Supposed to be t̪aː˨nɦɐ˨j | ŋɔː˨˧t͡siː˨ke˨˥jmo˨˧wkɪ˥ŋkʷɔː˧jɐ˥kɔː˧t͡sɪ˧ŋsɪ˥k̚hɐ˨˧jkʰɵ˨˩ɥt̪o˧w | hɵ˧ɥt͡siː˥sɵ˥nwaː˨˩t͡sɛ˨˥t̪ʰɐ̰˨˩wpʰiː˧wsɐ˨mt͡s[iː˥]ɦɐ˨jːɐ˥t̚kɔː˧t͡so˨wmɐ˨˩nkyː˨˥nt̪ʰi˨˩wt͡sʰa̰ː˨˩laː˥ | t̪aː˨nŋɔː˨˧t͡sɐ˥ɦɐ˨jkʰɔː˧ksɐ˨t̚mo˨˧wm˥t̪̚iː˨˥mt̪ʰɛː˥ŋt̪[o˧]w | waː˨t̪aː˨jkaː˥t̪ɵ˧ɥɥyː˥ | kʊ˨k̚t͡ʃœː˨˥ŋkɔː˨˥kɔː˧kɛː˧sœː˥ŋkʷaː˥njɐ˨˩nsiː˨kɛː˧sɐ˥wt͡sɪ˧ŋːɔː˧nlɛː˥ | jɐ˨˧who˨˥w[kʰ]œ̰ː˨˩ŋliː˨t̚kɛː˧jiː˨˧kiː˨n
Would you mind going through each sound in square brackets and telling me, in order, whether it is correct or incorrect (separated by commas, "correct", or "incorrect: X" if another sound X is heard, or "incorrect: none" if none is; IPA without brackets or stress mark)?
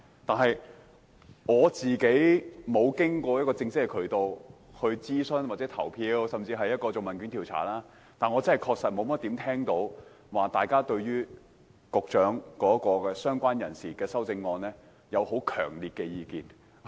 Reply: incorrect: iː˧, incorrect: o˨˥, correct